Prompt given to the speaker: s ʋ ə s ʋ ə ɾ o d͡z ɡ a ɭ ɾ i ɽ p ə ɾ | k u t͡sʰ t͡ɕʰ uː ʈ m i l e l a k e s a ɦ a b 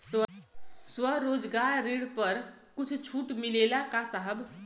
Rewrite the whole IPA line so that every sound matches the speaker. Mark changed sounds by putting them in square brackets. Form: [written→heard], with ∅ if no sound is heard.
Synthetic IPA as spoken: s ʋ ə s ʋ ə ɾ o d͡z ɡ a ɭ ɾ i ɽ p ə ɾ | k u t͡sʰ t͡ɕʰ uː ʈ m i l e l a k [e→a] s a ɦ [a→ə] b